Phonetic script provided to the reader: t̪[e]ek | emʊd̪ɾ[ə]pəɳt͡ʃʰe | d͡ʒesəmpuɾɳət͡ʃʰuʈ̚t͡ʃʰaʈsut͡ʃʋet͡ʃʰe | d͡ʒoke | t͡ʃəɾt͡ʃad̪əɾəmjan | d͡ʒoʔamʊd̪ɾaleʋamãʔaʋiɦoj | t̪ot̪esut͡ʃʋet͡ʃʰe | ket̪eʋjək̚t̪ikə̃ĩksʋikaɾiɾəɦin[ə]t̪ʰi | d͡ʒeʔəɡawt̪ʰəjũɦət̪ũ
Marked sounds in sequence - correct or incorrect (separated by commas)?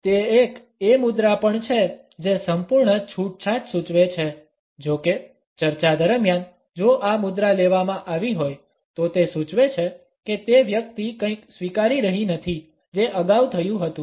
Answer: correct, incorrect, correct